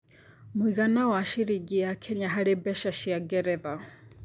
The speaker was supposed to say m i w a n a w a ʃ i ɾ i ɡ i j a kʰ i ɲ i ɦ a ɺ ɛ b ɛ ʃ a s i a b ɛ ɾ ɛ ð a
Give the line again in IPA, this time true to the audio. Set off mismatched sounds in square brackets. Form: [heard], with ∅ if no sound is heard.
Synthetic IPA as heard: m i [ɣ] a n a w a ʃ i ɾ i ɡ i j a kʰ [ɛ] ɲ [a] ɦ a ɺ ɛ b ɛ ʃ a [ʃ] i a [ɡ] ɛ ɾ ɛ ð a